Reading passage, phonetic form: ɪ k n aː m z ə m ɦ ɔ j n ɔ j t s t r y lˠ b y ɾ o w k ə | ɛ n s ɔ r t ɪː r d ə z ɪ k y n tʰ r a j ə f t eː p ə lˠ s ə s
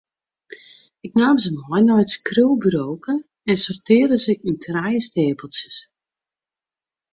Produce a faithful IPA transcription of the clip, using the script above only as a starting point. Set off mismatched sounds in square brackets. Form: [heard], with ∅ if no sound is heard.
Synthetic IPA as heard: ɪ k n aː m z ə m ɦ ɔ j n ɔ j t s [k] r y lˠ b y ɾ o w k ə | ɛ n s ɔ r t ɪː r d ə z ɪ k y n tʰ r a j ə [s] t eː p ə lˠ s ə s

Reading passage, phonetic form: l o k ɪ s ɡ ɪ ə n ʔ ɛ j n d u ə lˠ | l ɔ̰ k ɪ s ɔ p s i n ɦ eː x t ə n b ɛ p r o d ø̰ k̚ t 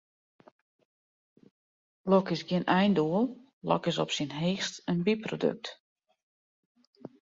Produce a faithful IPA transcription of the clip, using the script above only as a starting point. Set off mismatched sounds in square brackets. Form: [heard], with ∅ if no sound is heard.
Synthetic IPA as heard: l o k ɪ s ɡ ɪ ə n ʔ ɛ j n d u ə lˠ | l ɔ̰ k ɪ s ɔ p s i n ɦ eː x t ə n b [i] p r o d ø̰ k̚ t

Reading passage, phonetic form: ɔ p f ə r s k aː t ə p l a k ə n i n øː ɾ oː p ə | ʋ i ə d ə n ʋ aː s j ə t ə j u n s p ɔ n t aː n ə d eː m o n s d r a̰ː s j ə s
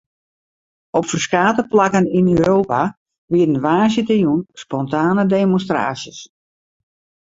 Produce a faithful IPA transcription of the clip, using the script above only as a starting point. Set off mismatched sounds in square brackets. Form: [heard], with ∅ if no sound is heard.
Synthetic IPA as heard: ɔ p f ə r s k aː t ə p l a k ə n i n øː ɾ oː p [a] | ʋ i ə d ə n ʋ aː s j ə t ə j u n s p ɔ n t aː n ə d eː m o n s [t] r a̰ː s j ə s

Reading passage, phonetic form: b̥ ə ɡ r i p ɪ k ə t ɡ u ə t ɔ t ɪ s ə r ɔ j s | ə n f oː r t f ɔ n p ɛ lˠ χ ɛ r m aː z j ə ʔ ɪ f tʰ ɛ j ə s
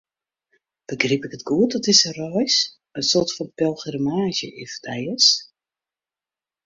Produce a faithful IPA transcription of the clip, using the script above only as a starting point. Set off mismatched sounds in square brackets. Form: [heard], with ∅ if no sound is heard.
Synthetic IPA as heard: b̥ ə ɡ r i p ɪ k ə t ɡ u ə t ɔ t ɪ s ə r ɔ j s | ə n [s] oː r t f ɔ n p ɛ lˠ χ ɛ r m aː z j ə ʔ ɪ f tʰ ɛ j ə s

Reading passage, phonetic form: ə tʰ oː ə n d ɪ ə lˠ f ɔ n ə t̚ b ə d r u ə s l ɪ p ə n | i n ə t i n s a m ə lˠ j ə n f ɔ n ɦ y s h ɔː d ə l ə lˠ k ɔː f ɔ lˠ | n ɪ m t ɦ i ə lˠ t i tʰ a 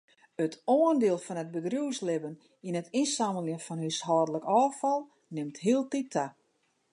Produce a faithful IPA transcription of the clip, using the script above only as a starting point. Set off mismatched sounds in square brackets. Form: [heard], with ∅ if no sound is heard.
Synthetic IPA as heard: ə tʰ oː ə n d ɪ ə lˠ f ɔ n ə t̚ b ə d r u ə s l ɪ [b] ə n | i n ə t i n s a m ə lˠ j ə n f ɔ n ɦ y s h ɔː d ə l ə [∅] k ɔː f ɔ lˠ | n ɪ m t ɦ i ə lˠ t i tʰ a

